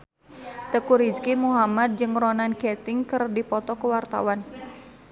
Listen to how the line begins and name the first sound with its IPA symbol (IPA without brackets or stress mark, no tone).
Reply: t̪